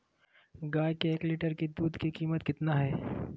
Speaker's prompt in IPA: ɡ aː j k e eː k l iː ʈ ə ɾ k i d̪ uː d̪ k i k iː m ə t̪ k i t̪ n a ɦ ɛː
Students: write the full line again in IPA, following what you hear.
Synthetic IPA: ɡ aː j k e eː k l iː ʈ ə ɾ k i d̪ uː d̪ k i k iː m ə t̪ k ɪ t̪ n a ɦ ɛː